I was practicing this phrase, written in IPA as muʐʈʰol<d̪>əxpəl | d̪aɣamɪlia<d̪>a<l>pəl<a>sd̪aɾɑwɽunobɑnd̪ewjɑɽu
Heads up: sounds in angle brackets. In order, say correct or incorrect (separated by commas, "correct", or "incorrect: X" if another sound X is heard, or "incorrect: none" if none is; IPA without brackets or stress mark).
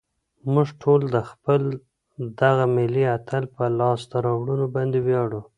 correct, incorrect: t̪, correct, incorrect: ɑ